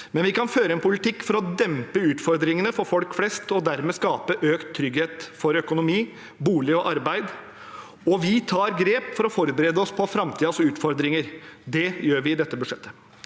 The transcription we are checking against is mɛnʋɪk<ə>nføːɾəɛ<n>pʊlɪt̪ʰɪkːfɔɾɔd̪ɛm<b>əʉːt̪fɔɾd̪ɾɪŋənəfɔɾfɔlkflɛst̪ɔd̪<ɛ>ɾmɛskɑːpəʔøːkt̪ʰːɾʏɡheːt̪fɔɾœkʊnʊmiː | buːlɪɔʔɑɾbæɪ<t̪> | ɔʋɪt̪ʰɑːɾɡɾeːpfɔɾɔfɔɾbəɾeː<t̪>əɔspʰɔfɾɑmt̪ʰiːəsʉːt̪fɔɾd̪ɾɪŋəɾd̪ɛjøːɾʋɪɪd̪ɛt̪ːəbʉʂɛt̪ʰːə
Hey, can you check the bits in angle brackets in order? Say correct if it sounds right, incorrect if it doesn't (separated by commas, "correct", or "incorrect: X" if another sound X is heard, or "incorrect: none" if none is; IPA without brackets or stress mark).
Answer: incorrect: ɑ, correct, incorrect: p, incorrect: æ, incorrect: d̪, incorrect: d̪